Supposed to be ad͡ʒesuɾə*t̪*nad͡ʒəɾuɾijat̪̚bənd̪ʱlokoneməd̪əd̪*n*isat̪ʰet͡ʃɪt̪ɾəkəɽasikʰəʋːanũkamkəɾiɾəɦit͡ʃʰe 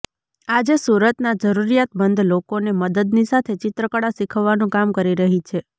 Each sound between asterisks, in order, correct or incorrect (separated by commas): correct, correct